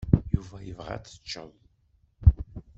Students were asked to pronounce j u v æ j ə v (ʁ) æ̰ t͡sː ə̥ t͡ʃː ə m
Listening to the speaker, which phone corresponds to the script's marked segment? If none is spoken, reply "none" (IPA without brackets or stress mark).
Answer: ʁ